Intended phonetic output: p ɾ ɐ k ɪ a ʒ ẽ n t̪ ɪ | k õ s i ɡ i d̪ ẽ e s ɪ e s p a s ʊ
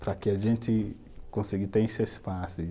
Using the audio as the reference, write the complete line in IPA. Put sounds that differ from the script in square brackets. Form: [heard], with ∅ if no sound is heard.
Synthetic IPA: p ɾ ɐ k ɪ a ʒ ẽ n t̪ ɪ | k õ s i ɡ i [t̪] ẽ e s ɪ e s p a s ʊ